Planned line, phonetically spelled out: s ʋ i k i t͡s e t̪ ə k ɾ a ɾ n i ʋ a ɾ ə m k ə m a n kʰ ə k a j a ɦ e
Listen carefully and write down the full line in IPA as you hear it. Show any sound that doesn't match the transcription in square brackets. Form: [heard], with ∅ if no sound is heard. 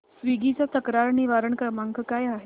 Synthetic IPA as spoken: s ʋ i [ɡ] i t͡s [a] t̪ ə k ɾ a ɾ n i ʋ a ɾ ə [ɳ] k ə m a [ŋ] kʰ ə k a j a ɦ e